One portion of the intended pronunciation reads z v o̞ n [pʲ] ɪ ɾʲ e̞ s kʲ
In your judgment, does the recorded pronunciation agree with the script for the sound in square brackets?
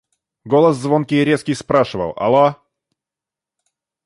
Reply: no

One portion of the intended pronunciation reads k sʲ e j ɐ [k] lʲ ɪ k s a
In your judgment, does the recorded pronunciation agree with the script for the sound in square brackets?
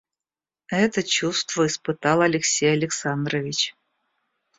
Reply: no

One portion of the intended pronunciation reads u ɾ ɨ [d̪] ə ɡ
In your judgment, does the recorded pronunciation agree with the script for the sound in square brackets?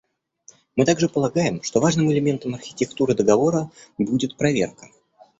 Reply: yes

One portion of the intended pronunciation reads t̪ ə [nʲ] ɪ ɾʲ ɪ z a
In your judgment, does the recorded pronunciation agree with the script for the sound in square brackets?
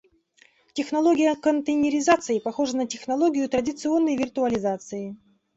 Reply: yes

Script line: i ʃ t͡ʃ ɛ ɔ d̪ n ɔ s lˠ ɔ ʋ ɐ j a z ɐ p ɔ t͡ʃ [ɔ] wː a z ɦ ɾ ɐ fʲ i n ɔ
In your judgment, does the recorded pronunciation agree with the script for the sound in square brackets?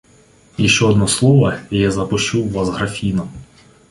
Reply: no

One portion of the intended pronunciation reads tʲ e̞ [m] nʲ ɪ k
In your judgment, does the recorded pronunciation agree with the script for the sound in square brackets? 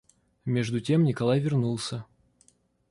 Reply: yes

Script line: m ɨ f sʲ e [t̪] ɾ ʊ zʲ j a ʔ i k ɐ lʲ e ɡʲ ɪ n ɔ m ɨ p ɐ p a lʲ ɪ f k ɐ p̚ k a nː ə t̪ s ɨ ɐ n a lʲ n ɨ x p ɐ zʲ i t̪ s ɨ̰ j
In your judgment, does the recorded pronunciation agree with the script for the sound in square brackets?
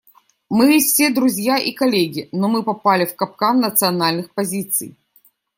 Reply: no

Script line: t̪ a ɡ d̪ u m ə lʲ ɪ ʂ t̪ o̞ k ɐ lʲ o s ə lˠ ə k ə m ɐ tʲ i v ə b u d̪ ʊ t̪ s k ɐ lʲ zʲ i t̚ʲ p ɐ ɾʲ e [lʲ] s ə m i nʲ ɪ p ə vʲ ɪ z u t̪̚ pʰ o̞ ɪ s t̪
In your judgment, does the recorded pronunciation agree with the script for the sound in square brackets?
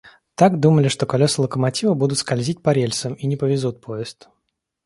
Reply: yes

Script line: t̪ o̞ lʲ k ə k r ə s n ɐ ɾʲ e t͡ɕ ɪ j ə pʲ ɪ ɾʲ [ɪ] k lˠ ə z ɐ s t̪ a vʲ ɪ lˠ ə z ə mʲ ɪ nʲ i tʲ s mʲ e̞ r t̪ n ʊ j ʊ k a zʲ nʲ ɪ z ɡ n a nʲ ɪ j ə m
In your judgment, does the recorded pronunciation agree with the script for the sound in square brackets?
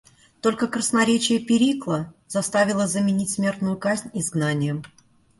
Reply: no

